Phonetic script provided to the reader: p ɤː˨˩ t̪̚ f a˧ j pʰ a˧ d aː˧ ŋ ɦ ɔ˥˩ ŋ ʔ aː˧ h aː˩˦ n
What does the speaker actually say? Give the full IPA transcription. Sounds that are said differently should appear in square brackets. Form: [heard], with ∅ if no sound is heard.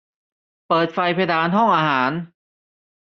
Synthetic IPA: p ɤː˨˩ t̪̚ f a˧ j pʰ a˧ d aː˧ [n] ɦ ɔ˥˩ ŋ ʔ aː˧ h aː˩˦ n